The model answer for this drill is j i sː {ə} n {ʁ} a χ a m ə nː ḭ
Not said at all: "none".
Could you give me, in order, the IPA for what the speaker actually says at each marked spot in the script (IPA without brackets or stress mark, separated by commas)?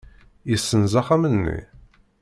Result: ə, z